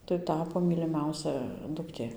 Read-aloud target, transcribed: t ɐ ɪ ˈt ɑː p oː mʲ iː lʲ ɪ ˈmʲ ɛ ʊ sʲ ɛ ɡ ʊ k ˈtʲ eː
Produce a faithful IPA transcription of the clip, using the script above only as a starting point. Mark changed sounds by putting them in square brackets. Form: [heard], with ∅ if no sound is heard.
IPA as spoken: t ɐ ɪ ˈt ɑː p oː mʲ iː lʲ ɪ ˈmʲ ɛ ʊ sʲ ɛ [d] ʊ k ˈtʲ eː